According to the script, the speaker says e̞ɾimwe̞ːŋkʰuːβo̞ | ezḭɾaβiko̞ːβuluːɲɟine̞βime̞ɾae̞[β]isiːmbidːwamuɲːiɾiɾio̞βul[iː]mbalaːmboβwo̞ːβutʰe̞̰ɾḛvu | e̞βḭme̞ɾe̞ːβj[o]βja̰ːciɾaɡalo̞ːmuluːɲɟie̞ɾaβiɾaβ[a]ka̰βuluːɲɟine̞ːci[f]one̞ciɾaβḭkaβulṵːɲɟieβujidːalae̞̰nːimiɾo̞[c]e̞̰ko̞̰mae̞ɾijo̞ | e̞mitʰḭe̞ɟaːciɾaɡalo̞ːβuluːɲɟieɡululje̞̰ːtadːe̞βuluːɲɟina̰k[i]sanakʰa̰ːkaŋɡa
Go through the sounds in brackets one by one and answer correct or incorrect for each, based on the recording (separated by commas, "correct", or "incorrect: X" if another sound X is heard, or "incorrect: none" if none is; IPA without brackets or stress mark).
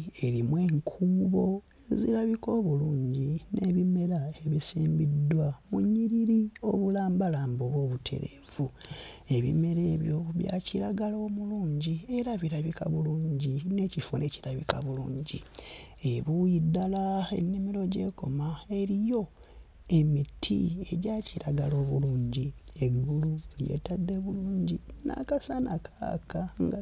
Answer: correct, incorrect: aː, correct, incorrect: i, correct, incorrect: ɟ, incorrect: a